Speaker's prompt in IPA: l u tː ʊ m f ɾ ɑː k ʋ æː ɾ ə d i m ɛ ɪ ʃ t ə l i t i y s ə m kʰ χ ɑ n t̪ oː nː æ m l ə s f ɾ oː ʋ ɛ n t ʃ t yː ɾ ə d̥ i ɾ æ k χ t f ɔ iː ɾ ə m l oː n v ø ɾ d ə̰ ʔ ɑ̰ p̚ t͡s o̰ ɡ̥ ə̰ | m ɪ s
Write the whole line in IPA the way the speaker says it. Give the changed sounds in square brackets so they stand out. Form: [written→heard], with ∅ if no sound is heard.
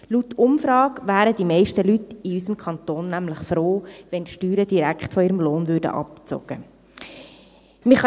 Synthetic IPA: l u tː ʊ m f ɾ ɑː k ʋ æː ɾ ə d i m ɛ ɪ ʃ t ə l [i→y] t i y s ə m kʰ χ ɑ n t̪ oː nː æ m l ə [s→χ] f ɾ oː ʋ ɛ n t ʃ t yː ɾ ə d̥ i ɾ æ k χ t f ɔ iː ɾ ə m l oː n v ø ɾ d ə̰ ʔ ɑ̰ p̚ t͡s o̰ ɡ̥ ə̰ | m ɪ [s→χ]

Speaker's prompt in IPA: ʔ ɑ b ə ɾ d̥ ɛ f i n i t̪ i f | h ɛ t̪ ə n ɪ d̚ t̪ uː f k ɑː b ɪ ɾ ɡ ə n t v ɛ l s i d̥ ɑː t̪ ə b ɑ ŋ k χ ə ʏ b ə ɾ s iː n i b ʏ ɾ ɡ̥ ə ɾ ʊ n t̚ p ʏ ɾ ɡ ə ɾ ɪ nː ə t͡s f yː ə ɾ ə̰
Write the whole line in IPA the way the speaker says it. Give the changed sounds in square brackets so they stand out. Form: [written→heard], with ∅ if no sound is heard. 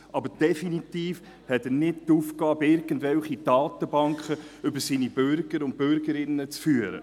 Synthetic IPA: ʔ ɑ b ə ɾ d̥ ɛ f i n i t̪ [i→iː] f | h ɛ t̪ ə n ɪ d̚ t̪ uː f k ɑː b ɪ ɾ ɡ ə n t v ɛ l [s→χ] i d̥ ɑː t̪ ə b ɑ ŋ k χ ə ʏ b ə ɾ s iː n i b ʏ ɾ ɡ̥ ə ɾ ʊ n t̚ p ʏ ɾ ɡ ə ɾ ɪ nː ə t͡s f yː ə ɾ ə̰

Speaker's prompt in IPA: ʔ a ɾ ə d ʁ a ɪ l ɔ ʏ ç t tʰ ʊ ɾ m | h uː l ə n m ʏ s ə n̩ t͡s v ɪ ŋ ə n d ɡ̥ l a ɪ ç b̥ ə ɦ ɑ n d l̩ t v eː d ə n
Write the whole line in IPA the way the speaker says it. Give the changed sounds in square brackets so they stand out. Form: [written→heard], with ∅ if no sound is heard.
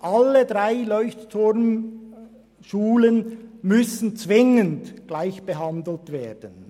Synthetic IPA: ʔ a [ɾ→l] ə d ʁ a ɪ l ɔ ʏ ç t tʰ ʊ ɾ m | [h→ʃ] uː l ə n m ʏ s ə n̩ t͡s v ɪ ŋ ə n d ɡ̥ l a ɪ ç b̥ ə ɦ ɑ n d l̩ t v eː d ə n

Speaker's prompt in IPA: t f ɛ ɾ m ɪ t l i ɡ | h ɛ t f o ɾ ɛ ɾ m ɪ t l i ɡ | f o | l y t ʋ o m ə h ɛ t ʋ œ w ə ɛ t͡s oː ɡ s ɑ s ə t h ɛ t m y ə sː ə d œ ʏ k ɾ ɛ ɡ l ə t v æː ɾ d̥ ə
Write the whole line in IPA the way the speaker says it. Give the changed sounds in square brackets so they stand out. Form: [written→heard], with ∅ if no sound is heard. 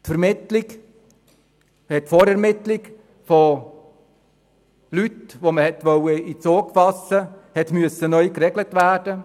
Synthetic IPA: t f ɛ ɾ m ɪ t l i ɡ | h ɛ t f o ɾ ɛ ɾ m ɪ t l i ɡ | f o | l y t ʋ o m ə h ɛ t ʋ œ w ə [ɛ→i] t͡s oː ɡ [s→f] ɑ s ə [t→∅] h ɛ t m y ə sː ə [d→n] œ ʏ k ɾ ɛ ɡ l ə t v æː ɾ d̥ ə

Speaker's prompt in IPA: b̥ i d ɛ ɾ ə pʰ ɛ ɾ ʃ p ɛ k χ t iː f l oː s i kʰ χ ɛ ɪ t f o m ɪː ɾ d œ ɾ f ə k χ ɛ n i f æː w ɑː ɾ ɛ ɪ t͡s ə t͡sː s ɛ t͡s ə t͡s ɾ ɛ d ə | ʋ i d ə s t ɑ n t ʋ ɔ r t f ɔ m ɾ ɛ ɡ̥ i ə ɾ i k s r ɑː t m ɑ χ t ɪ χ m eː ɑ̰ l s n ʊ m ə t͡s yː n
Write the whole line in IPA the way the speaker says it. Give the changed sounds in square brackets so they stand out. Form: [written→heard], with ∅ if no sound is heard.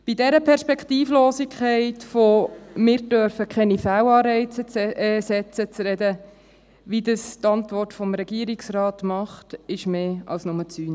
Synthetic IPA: b̥ i d ɛ ɾ ə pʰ ɛ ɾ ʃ p ɛ k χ t iː f l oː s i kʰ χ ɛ ɪ t f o m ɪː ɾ d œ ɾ f ə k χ ɛ n i f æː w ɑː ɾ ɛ ɪ t͡s ə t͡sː s ɛ t͡s ə t͡s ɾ ɛ d ə | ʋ i d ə s t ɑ n t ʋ ɔ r t f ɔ m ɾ ɛ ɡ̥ i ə ɾ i k s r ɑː t m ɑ χ t ɪ [χ→ʃ] m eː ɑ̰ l s n ʊ m ə t͡s yː n

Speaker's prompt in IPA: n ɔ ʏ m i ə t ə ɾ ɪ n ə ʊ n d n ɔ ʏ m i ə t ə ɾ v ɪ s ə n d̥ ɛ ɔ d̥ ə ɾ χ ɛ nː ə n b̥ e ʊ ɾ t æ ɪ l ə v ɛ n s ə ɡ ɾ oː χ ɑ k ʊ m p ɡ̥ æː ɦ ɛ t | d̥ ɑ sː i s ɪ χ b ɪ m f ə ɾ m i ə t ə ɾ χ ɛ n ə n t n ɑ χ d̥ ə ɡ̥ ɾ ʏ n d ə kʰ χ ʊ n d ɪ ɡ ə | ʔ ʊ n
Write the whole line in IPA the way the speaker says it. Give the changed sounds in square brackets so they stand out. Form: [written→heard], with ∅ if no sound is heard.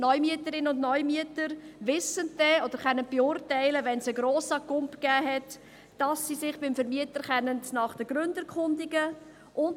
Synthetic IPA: n ɔ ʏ m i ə t ə ɾ ɪ n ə ʊ n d n ɔ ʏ m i ə t ə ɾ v ɪ s ə n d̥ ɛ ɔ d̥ ə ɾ χ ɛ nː ə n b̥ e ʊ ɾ t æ ɪ l ə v ɛ n s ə ɡ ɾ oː [χ→s] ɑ k ʊ m p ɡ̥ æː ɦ ɛ t | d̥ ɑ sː i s ɪ χ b ɪ m f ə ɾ m i ə t ə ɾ χ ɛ n ə n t n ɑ χ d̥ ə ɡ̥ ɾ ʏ n d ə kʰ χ ʊ n d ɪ ɡ ə | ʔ ʊ n

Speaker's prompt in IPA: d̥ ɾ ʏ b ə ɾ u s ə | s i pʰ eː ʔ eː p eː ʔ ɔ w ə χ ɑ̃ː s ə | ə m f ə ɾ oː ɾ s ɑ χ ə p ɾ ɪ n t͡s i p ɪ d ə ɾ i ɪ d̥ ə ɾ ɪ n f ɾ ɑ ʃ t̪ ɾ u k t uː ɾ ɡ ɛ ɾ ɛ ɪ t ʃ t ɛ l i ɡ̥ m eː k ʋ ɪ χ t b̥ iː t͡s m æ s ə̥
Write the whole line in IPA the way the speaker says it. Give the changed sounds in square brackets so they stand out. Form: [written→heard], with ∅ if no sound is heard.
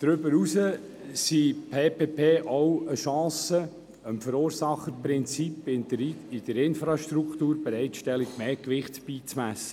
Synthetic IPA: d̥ ɾ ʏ b ə ɾ u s ə | s i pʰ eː [ʔ→p] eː p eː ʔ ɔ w ə [χ→ʃ] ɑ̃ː s ə | ə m f ə ɾ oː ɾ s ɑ χ ə p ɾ ɪ n t͡s i p ɪ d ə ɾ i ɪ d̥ ə ɾ ɪ n f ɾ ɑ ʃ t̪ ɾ u k t uː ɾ [ɡ→b] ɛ ɾ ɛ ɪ t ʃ t ɛ l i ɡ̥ m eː k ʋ ɪ χ t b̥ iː t͡s m æ s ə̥

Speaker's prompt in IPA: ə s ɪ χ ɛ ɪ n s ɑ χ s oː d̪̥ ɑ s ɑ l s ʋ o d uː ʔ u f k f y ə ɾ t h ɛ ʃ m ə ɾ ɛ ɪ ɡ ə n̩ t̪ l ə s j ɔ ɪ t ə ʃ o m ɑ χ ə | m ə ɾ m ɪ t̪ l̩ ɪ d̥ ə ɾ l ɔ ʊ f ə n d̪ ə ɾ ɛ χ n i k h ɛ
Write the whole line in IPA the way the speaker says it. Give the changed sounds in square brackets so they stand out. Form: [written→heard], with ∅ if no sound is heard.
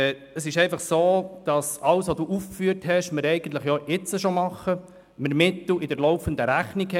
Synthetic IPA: ə s ɪ [χ→ʃ] ɛ ɪ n [s→f] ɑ χ s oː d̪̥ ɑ s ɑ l s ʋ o d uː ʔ u f k f y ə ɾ t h ɛ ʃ m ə ɾ ɛ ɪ ɡ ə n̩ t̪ l ə [s→χ] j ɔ ɪ [t→t͡s] ə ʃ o m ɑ χ ə | m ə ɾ m ɪ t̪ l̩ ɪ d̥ ə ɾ l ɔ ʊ f ə n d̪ ə ɾ [ɛ→æ] χ n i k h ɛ

